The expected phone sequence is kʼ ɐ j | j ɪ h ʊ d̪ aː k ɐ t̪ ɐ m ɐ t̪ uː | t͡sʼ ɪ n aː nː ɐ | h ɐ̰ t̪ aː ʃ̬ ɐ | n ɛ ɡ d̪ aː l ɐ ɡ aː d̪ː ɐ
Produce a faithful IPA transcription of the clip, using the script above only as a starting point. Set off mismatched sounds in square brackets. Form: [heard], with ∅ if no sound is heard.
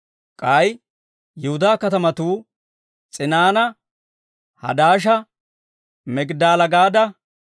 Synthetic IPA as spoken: kʼ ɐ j | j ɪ h ʊ d̪ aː k ɐ t̪ ɐ m ɐ t̪ uː | t͡sʼ ɪ n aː [n] ɐ | h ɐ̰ [d̪] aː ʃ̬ ɐ | [m] ɛ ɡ d̪ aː l ɐ ɡ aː [d̪] ɐ